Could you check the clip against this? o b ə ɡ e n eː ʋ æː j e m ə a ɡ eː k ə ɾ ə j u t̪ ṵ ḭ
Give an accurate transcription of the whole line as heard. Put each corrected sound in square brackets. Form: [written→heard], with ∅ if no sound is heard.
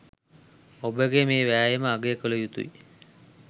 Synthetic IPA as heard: o b ə ɡ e [n→m] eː ʋ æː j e m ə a ɡ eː k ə [ɾ→l] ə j u t̪ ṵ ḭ